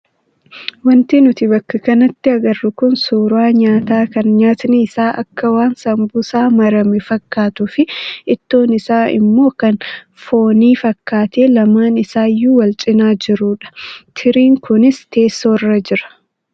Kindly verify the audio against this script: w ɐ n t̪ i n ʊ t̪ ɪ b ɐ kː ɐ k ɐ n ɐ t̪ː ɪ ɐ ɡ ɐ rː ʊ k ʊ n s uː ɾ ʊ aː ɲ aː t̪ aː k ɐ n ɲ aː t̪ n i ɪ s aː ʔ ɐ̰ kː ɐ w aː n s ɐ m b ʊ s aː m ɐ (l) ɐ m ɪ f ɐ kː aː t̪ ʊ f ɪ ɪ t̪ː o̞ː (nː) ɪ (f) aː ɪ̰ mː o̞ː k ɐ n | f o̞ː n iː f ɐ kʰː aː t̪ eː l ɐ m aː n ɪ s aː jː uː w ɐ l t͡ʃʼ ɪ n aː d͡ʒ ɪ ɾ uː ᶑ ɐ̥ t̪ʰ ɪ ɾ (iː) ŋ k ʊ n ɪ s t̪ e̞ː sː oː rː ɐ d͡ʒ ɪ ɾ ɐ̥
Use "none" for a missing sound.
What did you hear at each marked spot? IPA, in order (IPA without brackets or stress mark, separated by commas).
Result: ɾ, n, s, iː